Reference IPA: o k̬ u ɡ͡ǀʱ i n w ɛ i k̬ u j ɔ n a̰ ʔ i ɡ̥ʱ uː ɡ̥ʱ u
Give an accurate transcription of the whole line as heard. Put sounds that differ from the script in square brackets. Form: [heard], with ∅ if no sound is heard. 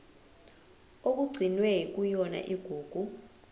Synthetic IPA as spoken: o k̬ u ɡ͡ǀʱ i n w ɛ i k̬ u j ɔ n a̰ ʔ i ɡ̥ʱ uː ɡ̥ʱ u